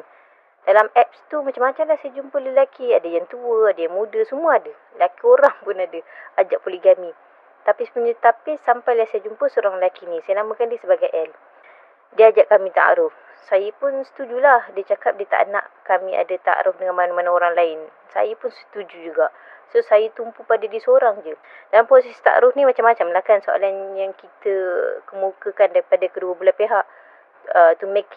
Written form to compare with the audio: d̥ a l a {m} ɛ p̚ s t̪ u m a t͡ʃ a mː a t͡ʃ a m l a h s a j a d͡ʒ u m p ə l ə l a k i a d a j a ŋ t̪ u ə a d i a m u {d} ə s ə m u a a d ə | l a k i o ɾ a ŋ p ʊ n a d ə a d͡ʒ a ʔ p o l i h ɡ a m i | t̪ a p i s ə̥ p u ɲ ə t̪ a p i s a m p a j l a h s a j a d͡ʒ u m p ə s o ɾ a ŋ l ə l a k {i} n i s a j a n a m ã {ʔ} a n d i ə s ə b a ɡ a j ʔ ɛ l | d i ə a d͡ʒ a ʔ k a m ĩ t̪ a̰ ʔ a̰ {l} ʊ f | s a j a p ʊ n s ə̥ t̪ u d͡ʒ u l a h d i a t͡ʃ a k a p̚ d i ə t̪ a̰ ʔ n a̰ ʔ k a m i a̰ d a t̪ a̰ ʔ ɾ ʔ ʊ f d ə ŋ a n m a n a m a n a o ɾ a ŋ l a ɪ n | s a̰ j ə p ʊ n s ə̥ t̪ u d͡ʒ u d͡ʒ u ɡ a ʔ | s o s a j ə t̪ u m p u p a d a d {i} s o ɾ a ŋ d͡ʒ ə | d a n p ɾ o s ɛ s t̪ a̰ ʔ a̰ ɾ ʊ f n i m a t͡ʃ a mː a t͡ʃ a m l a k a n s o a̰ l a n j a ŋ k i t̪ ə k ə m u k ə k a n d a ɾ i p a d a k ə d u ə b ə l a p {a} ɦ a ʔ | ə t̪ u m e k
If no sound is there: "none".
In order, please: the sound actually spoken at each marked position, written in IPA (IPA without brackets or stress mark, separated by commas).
m, d, i, k, ɾ, i, e